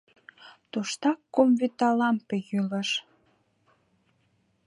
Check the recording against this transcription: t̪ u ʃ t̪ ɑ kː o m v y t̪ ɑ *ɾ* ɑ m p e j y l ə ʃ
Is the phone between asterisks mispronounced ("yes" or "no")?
yes